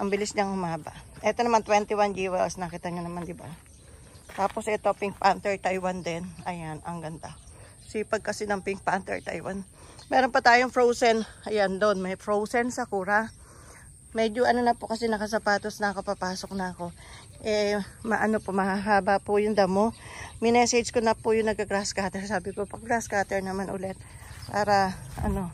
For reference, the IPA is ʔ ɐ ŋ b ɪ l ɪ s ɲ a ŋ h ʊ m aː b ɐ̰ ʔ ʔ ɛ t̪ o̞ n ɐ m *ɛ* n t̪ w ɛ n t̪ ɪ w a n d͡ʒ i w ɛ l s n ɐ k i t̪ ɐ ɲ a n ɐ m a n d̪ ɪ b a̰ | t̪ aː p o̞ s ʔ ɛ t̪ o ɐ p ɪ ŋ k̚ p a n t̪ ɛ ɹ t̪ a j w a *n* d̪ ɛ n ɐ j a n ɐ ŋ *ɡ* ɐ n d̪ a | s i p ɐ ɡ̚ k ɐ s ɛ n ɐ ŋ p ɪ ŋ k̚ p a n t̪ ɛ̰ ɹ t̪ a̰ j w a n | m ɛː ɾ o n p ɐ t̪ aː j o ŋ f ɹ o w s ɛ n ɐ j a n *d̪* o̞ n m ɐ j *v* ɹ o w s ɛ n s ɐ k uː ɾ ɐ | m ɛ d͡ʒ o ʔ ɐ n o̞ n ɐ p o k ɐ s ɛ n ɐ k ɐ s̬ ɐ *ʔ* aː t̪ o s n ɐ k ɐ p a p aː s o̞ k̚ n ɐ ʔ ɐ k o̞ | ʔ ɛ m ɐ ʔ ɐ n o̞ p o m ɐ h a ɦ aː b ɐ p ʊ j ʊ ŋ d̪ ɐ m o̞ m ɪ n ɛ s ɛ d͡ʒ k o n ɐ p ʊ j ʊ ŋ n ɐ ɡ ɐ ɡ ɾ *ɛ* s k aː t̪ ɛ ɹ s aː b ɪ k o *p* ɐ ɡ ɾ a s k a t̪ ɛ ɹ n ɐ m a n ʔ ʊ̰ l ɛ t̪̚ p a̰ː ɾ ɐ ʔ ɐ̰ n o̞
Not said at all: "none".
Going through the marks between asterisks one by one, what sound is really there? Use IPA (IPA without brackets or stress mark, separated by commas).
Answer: a, n, ɡ, d̪, f, p, a, p